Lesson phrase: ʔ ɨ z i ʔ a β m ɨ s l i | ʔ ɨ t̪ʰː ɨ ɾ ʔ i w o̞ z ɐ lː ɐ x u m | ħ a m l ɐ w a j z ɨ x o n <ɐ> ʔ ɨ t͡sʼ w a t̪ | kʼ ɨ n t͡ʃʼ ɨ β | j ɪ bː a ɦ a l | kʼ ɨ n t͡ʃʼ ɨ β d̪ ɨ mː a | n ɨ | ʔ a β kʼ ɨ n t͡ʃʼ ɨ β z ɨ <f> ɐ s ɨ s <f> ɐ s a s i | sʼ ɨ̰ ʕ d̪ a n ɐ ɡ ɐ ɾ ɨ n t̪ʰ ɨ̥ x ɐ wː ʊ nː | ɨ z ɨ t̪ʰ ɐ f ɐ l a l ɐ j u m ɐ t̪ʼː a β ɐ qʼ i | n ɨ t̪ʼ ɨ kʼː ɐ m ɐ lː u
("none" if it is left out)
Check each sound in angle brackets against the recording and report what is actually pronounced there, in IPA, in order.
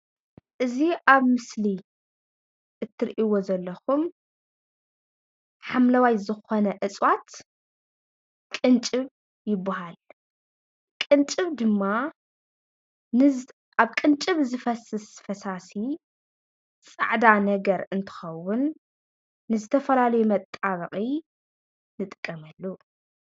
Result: ɐ, f, f

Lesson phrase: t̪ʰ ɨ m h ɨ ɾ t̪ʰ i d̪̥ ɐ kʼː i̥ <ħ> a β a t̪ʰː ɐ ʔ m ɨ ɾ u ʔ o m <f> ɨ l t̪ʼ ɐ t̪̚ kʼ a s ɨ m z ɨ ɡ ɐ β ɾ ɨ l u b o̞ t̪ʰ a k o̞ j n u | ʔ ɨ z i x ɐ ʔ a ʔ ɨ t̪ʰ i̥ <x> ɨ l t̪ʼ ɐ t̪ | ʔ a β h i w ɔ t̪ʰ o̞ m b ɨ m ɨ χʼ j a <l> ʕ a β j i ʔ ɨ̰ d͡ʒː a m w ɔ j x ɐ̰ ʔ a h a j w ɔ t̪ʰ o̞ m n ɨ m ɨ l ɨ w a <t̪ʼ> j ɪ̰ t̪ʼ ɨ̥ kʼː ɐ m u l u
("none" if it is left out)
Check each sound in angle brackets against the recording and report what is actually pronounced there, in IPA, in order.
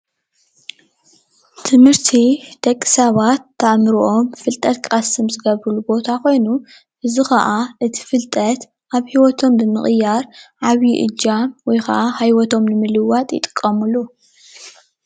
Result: s, f, f, ɾ, t̪ʼ

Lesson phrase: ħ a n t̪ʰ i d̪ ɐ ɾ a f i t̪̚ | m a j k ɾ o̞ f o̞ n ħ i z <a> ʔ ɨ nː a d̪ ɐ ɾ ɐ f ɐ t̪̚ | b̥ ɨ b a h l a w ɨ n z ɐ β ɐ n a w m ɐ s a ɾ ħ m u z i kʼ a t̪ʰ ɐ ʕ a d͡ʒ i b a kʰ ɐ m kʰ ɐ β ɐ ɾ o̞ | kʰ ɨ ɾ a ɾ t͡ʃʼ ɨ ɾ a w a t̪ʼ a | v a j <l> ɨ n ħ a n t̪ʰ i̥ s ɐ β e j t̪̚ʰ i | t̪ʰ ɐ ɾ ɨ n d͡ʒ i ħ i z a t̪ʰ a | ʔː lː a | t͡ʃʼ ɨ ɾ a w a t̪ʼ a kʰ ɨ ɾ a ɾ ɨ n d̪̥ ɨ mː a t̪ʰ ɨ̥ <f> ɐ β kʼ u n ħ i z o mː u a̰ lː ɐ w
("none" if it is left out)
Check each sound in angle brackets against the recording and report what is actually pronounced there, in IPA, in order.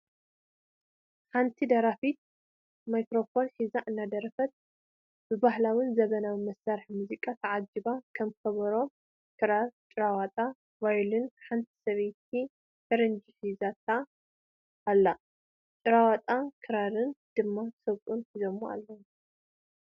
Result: a, l, s

